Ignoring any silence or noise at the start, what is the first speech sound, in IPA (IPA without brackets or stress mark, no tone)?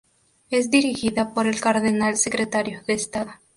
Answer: e̞